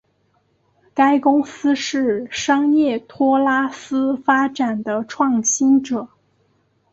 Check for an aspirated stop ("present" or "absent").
present